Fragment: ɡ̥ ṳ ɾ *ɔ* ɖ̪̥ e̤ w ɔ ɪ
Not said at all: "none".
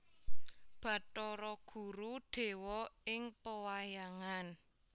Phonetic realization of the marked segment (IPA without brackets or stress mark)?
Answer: u